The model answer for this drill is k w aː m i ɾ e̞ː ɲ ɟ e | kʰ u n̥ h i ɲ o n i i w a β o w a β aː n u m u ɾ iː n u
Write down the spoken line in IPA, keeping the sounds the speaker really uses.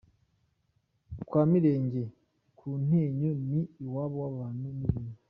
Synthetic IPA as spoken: k w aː m i ɾ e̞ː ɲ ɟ e | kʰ u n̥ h e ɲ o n i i w a β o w a β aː n u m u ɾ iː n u